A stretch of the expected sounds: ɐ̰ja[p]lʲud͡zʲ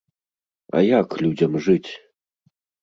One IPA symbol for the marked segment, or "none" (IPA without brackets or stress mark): k